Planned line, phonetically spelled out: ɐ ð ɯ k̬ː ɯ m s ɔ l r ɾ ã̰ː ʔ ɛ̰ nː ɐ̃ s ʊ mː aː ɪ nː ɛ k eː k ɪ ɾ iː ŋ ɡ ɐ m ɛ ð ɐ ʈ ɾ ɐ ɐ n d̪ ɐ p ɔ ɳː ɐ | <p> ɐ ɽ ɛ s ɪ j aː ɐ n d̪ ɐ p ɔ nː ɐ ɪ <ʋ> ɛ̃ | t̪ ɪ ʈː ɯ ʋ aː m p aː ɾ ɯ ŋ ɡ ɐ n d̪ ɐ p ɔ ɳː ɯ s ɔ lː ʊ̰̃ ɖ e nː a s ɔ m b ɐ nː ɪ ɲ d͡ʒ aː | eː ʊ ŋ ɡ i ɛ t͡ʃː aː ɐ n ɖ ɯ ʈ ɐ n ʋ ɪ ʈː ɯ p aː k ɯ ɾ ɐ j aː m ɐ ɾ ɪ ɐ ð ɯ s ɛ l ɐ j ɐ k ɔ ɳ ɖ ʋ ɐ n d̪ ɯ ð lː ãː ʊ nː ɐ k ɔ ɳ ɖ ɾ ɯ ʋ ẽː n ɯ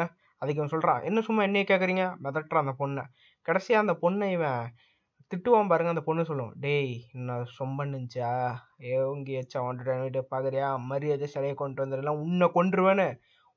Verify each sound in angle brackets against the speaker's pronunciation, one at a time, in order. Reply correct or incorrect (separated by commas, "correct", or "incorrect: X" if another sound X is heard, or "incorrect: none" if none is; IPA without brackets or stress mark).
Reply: incorrect: k, correct